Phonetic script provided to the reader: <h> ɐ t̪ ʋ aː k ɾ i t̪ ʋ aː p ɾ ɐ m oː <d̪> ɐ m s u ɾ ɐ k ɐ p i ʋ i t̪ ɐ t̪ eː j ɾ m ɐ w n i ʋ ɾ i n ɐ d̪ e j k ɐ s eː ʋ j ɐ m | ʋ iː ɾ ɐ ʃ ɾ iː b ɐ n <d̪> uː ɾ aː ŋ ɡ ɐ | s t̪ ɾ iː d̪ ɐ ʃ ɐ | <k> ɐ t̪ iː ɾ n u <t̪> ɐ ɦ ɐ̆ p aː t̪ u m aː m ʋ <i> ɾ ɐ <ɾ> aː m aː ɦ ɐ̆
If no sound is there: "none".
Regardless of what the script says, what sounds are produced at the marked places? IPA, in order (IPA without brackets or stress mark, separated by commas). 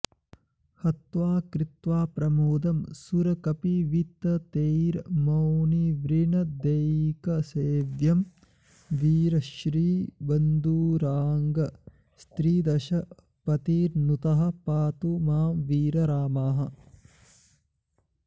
h, d̪, d̪, p, t̪, iː, ɾ